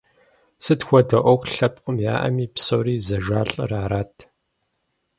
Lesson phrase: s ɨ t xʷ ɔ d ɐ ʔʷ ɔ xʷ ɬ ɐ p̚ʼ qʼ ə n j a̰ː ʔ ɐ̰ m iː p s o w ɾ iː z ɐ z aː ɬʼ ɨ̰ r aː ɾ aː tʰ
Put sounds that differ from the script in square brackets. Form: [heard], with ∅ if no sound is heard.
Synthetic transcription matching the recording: s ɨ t xʷ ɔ d ɐ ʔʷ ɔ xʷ ɬ ɐ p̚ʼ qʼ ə [m] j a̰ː ʔ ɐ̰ m iː p s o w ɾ iː z ɐ [ʒ] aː ɬʼ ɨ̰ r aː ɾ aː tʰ